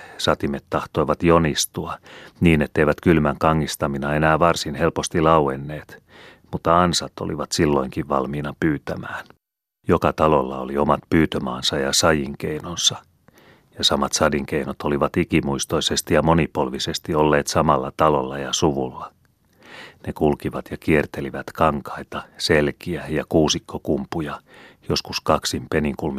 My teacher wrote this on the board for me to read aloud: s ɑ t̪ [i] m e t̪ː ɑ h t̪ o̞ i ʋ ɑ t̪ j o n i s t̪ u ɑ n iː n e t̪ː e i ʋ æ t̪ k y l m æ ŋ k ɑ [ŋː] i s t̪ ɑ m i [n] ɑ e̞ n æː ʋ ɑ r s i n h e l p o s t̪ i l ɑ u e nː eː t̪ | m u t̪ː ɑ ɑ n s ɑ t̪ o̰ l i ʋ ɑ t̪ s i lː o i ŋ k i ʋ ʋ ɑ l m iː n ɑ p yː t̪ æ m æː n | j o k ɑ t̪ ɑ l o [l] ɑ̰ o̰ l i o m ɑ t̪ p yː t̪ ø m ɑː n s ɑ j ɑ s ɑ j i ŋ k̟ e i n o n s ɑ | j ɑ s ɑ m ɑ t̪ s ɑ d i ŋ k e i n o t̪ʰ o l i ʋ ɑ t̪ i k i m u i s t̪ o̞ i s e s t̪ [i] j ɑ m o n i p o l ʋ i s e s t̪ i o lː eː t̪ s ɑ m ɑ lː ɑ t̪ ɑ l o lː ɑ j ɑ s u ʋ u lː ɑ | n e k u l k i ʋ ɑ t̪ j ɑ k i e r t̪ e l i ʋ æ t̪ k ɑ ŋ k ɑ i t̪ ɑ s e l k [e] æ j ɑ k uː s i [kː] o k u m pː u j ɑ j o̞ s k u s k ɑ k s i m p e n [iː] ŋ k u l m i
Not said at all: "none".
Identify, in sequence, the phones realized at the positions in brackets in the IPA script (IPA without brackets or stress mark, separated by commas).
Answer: i, ŋː, n, lː, i, i, kː, i